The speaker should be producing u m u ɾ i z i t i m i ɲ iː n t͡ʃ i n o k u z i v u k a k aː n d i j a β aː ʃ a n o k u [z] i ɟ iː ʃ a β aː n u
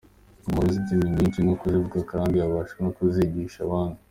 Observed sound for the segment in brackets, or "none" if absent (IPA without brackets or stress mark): z